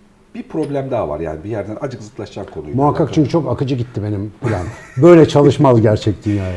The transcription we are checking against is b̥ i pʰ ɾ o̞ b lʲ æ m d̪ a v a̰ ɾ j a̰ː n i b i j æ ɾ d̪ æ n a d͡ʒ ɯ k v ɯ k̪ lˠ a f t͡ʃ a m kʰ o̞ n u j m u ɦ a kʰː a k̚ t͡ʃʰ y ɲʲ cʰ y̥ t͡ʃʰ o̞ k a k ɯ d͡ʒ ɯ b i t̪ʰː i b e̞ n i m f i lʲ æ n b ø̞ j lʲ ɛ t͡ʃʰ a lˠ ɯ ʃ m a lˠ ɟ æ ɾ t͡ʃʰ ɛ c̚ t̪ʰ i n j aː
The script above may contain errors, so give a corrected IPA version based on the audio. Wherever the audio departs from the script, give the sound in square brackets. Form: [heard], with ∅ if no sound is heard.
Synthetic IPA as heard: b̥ i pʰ ɾ o̞ b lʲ æ m d̪ a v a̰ ɾ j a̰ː n i b i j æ ɾ d̪ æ n a d͡ʒ ɯ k [z] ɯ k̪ lˠ a [ʃ] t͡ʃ a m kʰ o̞ n u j m u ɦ a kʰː a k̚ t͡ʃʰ y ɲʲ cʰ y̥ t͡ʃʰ o̞ k a k ɯ d͡ʒ ɯ [ɟ] i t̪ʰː i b e̞ n i m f i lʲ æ n b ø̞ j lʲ ɛ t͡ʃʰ a lˠ ɯ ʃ m a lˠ ɟ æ ɾ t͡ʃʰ ɛ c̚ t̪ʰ i n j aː